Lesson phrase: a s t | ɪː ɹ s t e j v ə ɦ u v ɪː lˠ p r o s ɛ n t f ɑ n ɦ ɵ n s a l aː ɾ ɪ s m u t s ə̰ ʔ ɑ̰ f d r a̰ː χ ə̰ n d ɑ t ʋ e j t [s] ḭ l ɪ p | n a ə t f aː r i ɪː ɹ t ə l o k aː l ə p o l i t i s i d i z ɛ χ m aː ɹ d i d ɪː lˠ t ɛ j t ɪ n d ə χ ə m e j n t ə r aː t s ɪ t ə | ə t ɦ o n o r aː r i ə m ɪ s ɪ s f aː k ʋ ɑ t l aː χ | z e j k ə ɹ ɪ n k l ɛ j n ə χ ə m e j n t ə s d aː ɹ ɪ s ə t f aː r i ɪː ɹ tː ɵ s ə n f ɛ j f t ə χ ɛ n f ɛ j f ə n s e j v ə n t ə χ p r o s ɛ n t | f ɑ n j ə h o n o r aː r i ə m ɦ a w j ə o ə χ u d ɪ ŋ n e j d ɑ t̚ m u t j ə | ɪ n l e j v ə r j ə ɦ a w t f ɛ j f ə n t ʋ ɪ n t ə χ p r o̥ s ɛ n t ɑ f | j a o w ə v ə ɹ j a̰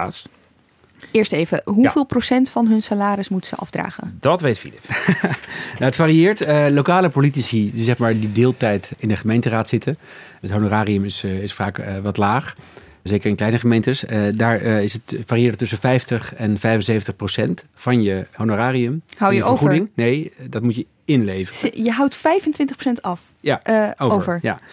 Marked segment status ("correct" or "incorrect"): incorrect